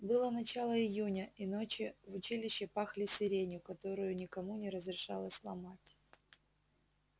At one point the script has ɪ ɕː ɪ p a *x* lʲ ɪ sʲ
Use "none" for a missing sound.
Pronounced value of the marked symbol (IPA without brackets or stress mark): x